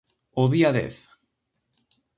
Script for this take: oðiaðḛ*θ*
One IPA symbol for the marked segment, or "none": θ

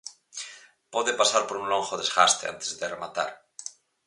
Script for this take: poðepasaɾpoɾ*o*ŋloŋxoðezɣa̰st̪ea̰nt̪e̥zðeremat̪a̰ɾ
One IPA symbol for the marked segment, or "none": u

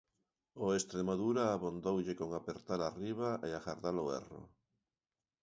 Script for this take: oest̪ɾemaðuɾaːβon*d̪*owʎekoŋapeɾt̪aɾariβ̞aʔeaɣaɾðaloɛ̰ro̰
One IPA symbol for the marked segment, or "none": d̪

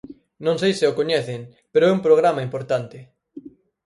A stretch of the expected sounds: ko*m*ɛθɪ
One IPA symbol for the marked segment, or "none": ɲ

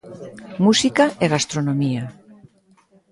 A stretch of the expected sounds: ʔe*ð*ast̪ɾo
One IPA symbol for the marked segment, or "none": ɣ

